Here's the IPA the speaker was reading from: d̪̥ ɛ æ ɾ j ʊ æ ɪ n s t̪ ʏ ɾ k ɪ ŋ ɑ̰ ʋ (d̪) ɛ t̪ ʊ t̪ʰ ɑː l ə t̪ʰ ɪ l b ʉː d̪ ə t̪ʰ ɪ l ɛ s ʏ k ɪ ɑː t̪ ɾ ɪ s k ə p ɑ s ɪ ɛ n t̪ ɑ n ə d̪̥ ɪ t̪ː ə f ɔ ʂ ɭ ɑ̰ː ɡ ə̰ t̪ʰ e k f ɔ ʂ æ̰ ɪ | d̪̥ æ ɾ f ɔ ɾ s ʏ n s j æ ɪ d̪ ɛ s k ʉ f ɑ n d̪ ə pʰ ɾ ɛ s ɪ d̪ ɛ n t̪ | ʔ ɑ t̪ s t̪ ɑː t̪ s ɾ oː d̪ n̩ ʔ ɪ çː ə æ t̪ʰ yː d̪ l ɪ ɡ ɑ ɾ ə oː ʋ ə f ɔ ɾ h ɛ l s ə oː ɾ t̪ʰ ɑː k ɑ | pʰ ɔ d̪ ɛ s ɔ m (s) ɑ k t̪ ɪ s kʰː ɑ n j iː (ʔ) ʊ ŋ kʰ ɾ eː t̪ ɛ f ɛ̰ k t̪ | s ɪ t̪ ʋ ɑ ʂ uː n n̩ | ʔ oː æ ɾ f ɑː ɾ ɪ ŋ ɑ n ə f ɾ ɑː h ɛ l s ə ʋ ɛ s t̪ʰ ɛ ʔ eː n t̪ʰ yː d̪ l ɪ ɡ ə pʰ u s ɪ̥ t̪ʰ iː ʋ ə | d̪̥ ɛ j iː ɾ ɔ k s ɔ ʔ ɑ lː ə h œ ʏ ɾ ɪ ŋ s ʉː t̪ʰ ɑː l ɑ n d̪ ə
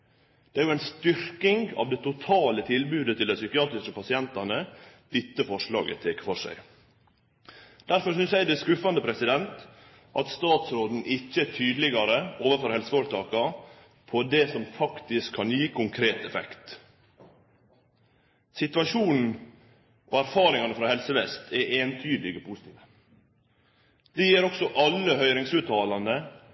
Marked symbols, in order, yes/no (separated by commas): yes, no, no